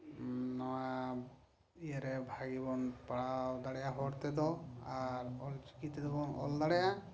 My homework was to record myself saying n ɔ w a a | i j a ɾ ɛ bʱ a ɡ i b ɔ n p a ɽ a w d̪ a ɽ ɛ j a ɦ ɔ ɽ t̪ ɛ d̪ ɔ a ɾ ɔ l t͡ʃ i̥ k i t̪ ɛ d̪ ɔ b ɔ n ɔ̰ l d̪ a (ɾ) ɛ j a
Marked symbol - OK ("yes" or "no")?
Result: no